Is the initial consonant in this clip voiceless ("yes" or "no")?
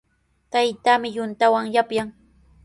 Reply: yes